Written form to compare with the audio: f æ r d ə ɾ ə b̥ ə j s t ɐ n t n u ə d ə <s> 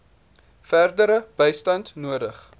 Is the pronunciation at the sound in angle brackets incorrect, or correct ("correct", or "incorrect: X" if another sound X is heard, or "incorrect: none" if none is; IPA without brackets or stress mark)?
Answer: incorrect: χ